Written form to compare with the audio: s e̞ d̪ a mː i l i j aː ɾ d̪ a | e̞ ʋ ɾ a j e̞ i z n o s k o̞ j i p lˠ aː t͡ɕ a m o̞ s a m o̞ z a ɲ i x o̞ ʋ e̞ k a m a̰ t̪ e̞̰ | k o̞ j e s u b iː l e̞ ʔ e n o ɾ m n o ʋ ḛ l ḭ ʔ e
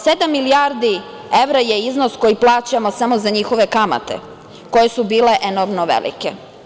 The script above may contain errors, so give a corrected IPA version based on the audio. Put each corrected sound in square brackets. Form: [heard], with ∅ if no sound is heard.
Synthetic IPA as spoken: s e̞ d̪ a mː i l i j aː ɾ d̪ [i] | e̞ ʋ ɾ a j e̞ i z n o s k o̞ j i p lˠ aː t͡ɕ a m o̞ s a m o̞ z a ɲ i x o̞ ʋ e̞ k a m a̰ t̪ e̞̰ | k o̞ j e s u b iː l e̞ ʔ e n o ɾ m n o ʋ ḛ l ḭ [k] e